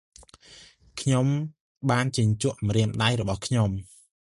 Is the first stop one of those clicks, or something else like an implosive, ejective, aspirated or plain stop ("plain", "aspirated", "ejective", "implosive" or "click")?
aspirated